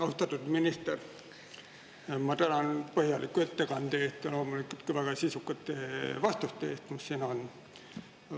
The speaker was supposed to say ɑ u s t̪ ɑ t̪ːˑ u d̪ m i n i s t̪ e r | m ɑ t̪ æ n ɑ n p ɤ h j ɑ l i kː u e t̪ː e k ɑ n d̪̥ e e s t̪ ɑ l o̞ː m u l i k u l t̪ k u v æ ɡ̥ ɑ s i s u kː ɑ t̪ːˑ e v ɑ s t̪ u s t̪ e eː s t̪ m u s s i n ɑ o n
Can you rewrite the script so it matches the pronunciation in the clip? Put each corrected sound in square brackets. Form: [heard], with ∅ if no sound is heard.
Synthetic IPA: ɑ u s t̪ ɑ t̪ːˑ u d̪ m i n i s t̪ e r | m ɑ t̪ æ n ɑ n p ɤ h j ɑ l i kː u e t̪ː e k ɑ n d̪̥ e e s t̪ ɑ l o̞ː m u l i k u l t̪ k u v æ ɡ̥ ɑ s i s u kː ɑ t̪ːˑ e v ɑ s t̪ u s t̪ e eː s t̪ m u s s i n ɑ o n